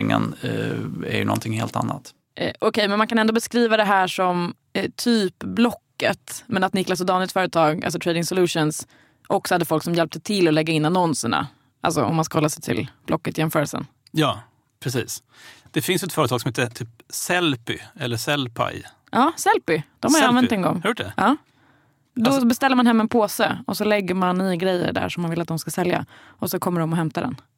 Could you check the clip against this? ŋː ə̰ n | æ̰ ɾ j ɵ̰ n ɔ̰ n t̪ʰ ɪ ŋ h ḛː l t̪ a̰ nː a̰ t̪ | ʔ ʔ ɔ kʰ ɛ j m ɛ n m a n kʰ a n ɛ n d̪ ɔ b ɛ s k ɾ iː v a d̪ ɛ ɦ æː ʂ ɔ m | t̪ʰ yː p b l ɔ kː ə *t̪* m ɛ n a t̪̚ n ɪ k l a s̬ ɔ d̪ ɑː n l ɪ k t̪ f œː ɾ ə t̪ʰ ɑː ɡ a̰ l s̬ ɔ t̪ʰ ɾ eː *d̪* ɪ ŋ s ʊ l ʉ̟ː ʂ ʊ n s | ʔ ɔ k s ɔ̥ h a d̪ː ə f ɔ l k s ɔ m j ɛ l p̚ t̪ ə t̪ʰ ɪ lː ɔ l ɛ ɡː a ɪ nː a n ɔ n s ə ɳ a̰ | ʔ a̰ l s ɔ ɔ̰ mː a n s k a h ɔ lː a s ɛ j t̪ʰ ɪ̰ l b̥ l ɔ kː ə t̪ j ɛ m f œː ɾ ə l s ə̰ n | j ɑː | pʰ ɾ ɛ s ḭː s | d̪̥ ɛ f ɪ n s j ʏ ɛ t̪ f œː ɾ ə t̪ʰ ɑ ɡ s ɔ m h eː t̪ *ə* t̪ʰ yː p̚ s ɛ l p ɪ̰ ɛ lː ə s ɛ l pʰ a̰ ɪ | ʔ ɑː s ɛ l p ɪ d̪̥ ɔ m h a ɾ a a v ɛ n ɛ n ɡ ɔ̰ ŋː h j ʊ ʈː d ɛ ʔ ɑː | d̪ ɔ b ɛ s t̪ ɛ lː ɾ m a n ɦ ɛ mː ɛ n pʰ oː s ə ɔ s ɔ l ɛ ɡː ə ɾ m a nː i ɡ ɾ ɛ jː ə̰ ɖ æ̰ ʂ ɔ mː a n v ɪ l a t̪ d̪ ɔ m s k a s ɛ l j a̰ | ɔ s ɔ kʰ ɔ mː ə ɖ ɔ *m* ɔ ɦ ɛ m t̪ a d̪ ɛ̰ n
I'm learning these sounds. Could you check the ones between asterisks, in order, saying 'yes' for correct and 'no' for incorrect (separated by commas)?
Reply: yes, yes, yes, yes